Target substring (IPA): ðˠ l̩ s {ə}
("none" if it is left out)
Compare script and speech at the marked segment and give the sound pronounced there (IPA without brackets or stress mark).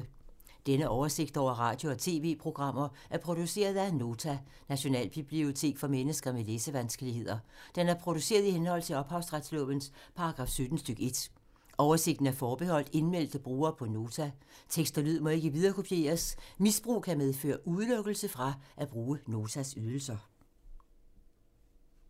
ɐ